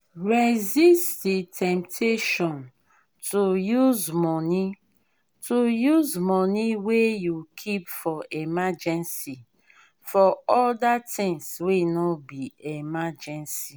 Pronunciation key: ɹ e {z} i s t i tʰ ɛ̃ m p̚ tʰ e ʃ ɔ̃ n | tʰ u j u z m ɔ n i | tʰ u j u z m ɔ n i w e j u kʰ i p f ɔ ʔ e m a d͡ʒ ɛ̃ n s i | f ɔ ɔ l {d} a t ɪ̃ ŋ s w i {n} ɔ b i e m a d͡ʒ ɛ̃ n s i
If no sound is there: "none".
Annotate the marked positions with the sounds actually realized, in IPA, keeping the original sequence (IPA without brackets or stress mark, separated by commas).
z, d, n